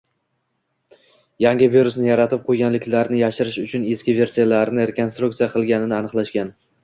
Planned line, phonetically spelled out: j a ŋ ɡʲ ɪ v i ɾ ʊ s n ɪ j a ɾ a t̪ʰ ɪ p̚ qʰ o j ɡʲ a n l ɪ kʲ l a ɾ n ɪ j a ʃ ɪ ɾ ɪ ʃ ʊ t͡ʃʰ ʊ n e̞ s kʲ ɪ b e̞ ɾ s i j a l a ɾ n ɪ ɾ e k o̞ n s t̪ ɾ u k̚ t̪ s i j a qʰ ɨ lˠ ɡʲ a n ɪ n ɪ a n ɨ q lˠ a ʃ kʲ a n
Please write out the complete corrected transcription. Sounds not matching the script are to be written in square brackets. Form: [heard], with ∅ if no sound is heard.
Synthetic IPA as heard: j a ŋ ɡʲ ɪ v i ɾ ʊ s n ɪ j a ɾ a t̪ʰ ɪ p̚ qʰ o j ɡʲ a n l ɪ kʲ l a ɾ n ɪ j a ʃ ɪ ɾ ɪ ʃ ʊ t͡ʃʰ ʊ n e̞ s kʲ ɪ [v] e̞ ɾ s i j a l a ɾ n ɪ ɾ e k o̞ n s t̪ ɾ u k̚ t̪ s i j a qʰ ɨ lˠ ɡʲ a n ɪ n ɪ a n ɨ q lˠ a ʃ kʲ a n